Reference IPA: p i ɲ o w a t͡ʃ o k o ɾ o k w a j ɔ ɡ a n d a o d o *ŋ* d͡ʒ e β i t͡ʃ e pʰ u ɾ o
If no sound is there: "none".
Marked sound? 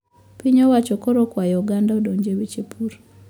ɲ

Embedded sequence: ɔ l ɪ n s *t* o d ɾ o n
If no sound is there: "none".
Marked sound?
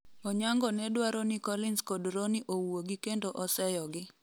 k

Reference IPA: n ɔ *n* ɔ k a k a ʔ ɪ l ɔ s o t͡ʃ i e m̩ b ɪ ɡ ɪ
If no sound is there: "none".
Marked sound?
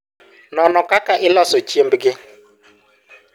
n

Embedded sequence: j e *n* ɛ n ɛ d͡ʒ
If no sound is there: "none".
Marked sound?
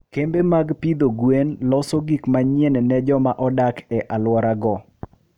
n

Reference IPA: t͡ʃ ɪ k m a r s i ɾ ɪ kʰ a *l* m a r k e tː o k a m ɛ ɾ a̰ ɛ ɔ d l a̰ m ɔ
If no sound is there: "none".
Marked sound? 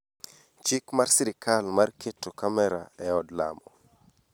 l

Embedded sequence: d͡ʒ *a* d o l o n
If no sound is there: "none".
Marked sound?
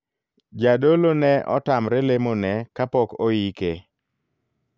a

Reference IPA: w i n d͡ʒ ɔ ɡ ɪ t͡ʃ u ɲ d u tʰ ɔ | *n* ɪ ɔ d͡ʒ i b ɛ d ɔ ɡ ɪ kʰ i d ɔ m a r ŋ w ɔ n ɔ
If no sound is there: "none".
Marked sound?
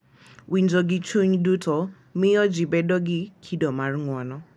m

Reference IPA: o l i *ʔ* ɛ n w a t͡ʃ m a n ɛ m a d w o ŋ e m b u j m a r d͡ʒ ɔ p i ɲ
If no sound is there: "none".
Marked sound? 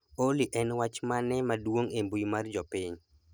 ʔ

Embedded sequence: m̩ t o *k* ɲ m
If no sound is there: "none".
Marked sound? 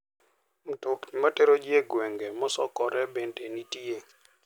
k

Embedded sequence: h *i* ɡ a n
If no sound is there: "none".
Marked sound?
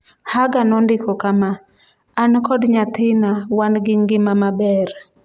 a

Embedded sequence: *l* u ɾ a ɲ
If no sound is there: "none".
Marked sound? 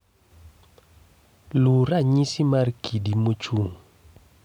l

